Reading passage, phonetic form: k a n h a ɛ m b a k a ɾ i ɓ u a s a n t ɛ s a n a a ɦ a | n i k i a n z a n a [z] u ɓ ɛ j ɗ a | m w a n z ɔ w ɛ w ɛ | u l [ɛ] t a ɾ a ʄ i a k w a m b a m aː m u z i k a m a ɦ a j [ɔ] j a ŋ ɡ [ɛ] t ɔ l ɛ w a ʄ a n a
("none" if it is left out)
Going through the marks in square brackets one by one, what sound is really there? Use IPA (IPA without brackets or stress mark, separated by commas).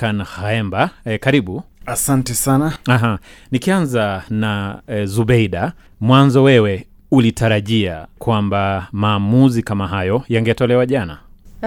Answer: z, i, ɔ, ɛ